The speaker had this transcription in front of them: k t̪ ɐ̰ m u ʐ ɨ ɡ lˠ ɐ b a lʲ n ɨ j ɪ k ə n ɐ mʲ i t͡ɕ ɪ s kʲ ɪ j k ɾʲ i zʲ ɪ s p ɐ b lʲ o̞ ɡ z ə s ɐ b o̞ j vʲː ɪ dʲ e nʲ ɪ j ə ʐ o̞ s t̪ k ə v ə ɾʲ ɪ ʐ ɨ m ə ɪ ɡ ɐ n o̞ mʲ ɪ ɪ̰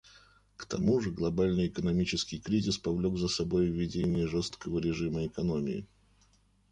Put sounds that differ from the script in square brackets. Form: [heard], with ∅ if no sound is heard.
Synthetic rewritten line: k t̪ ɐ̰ m u ʐ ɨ ɡ lˠ ɐ b a lʲ n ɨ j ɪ k ə n ɐ mʲ i t͡ɕ ɪ s kʲ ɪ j k ɾʲ i zʲ ɪ s p ɐ [v] lʲ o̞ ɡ z ə s ɐ b o̞ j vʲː ɪ dʲ e nʲ ɪ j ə ʐ o̞ s t̪ k ə v ə ɾʲ ɪ ʐ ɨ m ə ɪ [k] ɐ n o̞ mʲ ɪ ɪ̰